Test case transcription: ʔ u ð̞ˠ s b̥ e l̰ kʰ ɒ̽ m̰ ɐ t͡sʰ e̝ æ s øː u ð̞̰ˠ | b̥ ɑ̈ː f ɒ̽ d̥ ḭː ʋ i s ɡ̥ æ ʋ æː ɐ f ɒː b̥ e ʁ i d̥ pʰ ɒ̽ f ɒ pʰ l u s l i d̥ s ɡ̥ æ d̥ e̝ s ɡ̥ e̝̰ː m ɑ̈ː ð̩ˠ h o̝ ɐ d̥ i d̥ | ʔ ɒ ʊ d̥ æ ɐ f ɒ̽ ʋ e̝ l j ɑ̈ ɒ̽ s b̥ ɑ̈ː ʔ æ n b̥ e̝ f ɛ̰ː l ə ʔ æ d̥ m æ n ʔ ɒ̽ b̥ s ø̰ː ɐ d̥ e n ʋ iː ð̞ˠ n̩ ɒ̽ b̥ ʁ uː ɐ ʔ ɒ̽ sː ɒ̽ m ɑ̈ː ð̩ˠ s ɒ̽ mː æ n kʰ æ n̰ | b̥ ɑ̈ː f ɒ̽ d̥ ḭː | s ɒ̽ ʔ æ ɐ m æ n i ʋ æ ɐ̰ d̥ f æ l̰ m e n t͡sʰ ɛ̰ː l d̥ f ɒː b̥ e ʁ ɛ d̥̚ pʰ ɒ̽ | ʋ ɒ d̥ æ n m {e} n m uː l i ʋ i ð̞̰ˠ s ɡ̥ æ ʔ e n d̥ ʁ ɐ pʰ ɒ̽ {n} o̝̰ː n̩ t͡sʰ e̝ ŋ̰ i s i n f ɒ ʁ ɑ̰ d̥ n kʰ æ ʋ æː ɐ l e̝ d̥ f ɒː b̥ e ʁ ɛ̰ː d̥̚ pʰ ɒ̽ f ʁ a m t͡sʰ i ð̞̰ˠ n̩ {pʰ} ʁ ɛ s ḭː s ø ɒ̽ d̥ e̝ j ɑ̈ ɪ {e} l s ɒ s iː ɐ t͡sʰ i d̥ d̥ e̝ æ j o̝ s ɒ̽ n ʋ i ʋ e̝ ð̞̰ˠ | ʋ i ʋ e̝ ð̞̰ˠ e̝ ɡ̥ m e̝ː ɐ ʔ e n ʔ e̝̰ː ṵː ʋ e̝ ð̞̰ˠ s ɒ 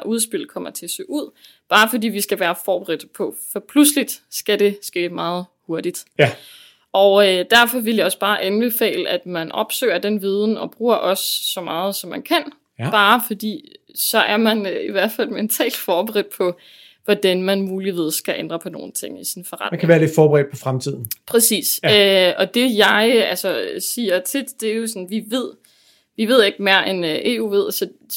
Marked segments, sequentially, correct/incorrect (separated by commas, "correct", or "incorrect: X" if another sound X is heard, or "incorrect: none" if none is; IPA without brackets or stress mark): incorrect: æ, correct, correct, incorrect: æ